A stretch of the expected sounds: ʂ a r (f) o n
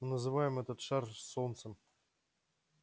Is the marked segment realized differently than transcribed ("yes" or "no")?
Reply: yes